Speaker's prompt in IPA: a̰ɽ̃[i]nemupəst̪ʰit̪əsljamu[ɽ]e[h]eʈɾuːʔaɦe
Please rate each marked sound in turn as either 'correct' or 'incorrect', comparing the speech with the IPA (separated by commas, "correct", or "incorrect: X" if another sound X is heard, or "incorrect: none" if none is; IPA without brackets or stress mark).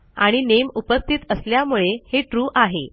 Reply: correct, incorrect: ɭ, correct